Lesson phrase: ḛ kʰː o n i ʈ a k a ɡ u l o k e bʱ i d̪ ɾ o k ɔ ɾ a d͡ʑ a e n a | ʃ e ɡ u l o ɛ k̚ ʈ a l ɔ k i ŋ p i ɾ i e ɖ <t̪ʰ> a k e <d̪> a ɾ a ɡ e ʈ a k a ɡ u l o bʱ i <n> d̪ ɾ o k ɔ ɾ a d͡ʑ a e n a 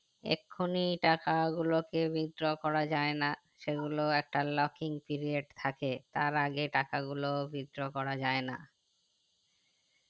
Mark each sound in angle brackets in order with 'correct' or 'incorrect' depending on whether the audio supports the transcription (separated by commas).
correct, incorrect, incorrect